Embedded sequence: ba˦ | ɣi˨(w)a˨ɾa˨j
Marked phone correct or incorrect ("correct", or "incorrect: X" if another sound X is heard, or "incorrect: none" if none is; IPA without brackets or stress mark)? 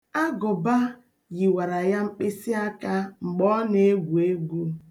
correct